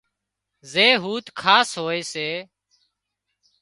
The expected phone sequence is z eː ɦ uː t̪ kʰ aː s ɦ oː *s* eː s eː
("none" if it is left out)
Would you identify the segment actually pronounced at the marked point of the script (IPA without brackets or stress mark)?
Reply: none